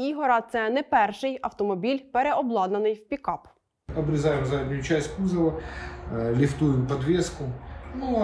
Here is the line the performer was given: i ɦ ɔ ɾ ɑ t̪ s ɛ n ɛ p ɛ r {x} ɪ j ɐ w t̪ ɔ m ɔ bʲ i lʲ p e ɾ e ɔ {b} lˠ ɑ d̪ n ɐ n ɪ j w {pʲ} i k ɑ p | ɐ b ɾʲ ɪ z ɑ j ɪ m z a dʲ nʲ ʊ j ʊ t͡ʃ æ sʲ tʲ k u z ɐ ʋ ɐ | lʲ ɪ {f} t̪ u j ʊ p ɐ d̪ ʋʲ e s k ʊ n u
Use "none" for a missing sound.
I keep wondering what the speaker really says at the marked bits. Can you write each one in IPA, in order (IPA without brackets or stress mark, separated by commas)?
ʃ, b, pʲ, f